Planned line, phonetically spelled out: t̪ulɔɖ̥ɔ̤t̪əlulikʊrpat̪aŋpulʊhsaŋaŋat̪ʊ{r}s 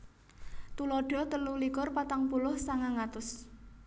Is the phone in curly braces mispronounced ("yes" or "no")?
yes